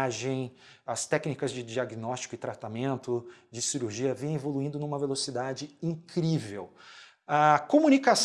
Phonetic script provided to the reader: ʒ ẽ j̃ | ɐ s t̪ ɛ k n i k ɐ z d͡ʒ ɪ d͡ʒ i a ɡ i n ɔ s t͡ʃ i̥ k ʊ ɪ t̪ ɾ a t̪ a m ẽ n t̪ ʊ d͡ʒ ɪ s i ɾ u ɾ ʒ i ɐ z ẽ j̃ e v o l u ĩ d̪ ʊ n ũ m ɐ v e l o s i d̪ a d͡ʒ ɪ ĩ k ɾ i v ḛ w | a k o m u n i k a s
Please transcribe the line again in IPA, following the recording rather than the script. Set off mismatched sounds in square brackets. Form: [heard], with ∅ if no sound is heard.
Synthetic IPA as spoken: ʒ ẽ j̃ | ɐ s t̪ ɛ k n i k ɐ z d͡ʒ ɪ d͡ʒ i a ɡ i n ɔ s t͡ʃ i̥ k ʊ ɪ t̪ ɾ a t̪ a m ẽ n t̪ ʊ d͡ʒ ɪ s i ɾ u ɾ ʒ i ɐ [v] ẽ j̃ e v o l u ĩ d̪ ʊ n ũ m ɐ v e l o s i d̪ a d͡ʒ ɪ ĩ k ɾ i v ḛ w | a k o m u n i k a s